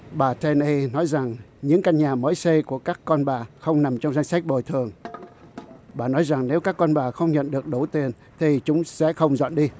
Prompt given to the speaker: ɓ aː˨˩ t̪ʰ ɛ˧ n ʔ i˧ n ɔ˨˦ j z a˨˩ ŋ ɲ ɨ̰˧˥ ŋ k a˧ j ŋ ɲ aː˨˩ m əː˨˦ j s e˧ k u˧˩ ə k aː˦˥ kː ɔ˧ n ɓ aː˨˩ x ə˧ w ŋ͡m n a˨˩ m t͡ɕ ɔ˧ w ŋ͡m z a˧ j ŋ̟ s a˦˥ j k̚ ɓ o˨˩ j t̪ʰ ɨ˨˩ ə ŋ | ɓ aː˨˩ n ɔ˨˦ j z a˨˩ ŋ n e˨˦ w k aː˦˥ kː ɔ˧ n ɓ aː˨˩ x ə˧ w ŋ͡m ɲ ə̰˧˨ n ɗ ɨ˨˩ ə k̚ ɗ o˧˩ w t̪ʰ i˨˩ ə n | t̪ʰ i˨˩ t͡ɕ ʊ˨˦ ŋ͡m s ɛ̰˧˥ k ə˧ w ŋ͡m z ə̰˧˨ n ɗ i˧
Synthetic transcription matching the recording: ɓ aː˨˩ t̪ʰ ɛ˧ n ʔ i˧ n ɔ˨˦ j z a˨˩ ŋ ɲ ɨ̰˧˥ ŋ k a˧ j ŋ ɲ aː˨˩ m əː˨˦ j s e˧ k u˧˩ ə k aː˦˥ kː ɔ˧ n ɓ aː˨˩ x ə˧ w ŋ͡m n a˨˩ m t͡ɕ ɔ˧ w ŋ͡m z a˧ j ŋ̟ s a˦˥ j k̚ ɓ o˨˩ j t̪ʰ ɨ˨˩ ə ŋ | ɓ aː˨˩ n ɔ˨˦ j z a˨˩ ŋ n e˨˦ w k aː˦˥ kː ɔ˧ n ɓ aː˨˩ x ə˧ w ŋ͡m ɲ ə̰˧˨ n ɗ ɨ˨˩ ə k̚ ɗ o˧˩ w t̪ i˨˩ ə n | t̪ʰ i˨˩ t͡ɕ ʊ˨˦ ŋ͡m s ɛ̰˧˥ x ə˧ w ŋ͡m z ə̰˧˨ n ɗ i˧